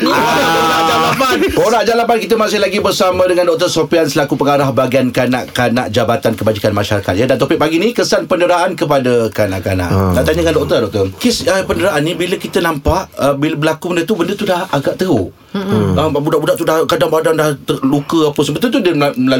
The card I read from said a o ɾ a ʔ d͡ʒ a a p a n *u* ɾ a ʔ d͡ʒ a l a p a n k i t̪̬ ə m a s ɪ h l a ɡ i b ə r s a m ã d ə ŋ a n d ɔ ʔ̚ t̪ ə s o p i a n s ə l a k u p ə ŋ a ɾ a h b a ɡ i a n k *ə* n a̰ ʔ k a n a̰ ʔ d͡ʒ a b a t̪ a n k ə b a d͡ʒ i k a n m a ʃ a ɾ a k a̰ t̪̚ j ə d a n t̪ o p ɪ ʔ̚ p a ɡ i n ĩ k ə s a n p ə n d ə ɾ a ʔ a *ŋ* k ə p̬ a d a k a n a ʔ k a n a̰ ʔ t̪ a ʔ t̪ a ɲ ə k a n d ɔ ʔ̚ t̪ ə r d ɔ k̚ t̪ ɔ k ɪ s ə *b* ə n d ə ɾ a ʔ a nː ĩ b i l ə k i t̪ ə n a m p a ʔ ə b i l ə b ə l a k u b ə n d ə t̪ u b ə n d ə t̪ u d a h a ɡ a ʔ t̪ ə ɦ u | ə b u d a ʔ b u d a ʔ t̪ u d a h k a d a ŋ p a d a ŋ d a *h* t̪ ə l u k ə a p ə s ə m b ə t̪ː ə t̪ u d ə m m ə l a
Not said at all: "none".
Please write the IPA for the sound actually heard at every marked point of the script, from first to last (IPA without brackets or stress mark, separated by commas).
o, a, n, p, h